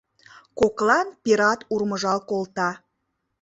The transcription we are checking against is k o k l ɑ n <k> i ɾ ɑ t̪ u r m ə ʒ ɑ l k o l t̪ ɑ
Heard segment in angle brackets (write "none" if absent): p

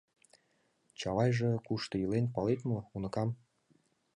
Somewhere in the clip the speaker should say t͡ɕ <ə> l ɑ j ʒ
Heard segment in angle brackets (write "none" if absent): ɑ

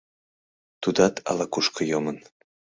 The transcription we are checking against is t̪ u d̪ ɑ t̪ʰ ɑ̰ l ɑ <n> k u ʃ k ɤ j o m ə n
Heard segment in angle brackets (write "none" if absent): none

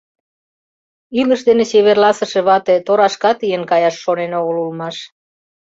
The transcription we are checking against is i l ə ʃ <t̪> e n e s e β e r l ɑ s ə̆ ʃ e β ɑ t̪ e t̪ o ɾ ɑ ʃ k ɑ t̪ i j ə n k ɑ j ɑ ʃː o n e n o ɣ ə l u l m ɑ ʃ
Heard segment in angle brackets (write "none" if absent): d̪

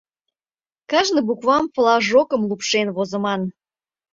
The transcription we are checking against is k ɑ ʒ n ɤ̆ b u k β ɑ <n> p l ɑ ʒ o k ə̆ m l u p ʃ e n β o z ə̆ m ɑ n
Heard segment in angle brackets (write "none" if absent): m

